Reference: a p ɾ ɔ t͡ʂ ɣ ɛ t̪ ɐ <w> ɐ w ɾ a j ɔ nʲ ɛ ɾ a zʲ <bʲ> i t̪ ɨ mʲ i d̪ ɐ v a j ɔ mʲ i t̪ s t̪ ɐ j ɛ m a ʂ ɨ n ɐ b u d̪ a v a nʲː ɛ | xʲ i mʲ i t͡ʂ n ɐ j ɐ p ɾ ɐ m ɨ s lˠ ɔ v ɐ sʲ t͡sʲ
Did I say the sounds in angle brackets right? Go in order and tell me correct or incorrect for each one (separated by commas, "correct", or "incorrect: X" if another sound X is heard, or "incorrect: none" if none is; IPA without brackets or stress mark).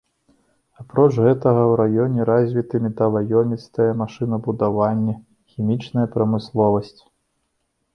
incorrect: ɣ, incorrect: vʲ